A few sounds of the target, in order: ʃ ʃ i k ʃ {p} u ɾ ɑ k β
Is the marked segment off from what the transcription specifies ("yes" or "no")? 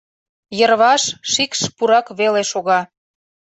no